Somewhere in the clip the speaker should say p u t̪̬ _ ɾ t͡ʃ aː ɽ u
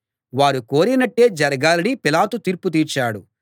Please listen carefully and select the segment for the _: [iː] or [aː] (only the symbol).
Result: iː